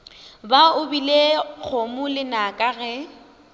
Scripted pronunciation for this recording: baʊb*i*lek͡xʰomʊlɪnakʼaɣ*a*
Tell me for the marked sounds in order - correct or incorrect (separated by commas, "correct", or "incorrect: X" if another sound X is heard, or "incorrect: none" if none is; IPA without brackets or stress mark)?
correct, incorrect: ɛ